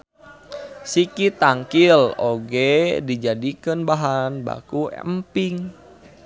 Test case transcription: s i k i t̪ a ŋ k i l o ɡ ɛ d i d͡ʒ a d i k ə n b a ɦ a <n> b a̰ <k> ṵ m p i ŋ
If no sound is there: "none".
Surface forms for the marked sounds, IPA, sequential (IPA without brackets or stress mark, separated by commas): n, k